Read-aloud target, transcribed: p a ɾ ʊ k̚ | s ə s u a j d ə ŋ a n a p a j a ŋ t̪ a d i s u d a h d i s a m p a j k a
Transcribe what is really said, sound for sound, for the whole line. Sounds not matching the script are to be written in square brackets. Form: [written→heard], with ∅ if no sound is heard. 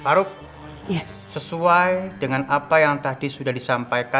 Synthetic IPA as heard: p a ɾ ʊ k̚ | s ə s u a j d ə ŋ a n a p a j a ŋ t̪ a d i s u d a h d i s a m p a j k a

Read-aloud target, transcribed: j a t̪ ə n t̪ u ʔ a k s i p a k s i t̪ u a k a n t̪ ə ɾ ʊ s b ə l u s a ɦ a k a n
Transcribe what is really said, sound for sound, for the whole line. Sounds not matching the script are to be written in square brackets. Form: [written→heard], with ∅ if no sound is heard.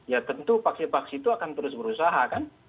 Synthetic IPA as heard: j a t̪ ə n t̪ u [ʔ→p] a k s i p a k s i t̪ u a k a n t̪ ə ɾ ʊ s b ə [l→ɾ] u s a ɦ a k a n

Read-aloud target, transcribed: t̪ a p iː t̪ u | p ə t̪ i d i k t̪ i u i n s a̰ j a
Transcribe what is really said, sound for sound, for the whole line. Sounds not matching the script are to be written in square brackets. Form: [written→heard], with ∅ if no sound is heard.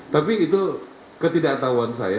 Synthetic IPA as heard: t̪ a p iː t̪ u | [p→k] ə t̪ i d [i→a] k t̪ [i→a] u [i→a] n s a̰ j a

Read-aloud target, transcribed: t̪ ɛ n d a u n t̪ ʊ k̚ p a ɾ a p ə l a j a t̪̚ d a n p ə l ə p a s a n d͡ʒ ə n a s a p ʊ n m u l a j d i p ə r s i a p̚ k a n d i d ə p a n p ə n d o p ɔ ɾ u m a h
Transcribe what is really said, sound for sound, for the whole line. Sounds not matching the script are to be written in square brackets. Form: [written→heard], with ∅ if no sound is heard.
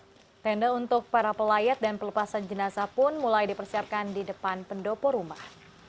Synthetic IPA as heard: t̪ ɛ n d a u n t̪ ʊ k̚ p a ɾ a p ə l a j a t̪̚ d a n p ə l ə p a s a n d͡ʒ ə n a s a p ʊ n m u l a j d i p ə r s i a p̚ k a n d i d ə p a n p ə n d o p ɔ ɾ u m a h

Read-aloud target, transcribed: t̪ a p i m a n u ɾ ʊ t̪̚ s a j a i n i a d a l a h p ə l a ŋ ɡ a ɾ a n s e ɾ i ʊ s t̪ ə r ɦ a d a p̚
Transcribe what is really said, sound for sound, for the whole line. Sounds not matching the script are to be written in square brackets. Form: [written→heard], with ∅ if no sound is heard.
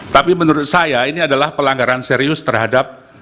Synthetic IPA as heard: t̪ a p i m [a→ə] n u ɾ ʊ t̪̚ s a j a i n i a d a l a h p ə l a ŋ ɡ a ɾ a n s e ɾ i ʊ s t̪ ə r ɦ a d a p̚

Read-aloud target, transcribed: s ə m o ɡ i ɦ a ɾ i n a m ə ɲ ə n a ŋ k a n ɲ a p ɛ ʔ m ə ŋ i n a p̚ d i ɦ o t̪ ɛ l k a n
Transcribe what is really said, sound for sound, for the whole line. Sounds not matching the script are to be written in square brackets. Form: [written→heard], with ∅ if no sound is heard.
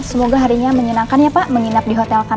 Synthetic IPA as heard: s ə m o ɡ [i→a] ɦ a ɾ i [n→ɲ] a m ə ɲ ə n a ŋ k a n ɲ a p [ɛ→a] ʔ m ə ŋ i n a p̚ d i ɦ o t̪ ɛ l k a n

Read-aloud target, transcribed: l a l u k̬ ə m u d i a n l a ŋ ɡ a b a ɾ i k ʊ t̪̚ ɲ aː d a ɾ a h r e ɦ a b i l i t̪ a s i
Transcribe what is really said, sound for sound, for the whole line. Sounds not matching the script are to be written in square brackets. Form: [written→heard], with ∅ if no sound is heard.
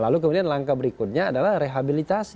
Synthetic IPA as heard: l a l u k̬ ə m u d i a n l a ŋ [ɡ→k] a b [a→ə] ɾ i k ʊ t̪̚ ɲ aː d a [ɾ→l] a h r e ɦ a b i l i t̪ a s i

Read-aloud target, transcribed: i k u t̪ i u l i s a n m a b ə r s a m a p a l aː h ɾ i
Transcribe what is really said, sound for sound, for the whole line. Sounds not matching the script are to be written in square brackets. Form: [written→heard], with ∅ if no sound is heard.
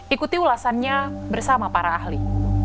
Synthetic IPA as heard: i k u t̪ i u l [i→a] s a n [m→ɲ] a b ə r s a m a p a [l→ɾ] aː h [ɾ→l] i

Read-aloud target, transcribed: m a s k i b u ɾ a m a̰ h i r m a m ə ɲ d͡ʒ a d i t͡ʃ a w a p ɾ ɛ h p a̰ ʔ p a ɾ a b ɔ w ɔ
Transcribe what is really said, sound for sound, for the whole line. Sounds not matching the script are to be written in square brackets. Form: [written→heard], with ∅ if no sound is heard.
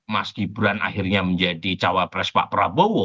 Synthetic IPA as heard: m a s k i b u ɾ a [m→n] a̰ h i r [m→ɲ] a m ə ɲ d͡ʒ a d i t͡ʃ a w a p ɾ ɛ [h→s] p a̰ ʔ p [a→ə] ɾ a b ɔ w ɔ

